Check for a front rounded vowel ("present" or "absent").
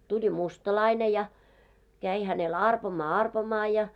absent